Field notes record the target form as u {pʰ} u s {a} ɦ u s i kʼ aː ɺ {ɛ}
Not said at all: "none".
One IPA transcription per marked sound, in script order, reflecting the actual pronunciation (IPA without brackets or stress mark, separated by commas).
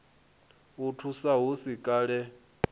tʰ, a, ɛ